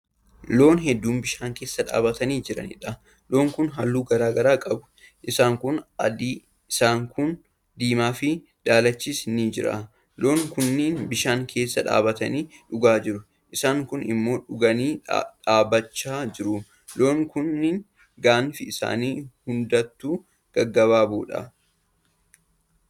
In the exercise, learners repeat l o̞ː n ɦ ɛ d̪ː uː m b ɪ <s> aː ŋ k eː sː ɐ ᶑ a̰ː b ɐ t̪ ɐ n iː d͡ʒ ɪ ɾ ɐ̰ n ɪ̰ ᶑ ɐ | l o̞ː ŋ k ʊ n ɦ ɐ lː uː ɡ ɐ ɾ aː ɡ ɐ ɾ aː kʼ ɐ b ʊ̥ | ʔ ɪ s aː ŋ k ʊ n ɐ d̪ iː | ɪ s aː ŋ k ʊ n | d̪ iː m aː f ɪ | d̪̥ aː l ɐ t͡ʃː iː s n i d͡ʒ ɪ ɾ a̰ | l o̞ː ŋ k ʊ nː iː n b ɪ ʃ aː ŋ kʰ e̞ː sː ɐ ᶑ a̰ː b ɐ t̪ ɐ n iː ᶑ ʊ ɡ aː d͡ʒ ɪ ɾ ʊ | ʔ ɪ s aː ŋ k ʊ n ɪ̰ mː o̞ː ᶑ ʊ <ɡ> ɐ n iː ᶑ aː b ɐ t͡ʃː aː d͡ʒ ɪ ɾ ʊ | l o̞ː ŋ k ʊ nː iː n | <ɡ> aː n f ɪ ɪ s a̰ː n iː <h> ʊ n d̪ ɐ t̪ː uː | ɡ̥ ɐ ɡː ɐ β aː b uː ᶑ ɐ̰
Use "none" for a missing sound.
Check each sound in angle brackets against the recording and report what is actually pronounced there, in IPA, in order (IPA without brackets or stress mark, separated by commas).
ʃ, ɡ, ɡ, h